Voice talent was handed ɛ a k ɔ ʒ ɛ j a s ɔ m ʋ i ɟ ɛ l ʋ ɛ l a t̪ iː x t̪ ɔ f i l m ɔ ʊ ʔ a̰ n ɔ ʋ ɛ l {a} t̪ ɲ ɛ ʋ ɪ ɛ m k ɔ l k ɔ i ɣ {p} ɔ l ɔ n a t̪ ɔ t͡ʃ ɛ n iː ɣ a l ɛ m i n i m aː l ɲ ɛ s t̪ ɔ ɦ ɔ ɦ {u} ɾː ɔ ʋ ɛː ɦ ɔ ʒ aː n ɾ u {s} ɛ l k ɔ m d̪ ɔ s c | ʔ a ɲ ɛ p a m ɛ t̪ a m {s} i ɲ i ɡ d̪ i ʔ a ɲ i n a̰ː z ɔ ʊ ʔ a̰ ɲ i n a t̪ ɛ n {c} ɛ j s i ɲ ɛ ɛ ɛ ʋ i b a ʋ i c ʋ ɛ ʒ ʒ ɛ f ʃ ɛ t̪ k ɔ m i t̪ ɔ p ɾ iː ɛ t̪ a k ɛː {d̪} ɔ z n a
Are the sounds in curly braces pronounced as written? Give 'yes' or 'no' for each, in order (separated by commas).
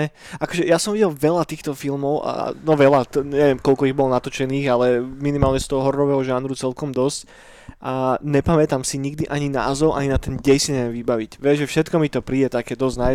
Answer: yes, no, no, no, yes, no, yes